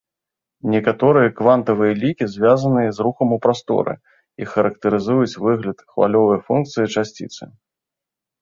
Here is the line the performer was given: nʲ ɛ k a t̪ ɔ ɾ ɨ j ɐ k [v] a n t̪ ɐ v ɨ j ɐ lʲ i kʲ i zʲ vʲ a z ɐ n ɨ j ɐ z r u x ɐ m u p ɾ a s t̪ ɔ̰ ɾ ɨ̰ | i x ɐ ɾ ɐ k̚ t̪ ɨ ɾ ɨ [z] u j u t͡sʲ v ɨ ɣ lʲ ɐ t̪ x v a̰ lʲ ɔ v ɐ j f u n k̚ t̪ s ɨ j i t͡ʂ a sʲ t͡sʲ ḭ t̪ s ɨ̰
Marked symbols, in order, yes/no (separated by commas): yes, yes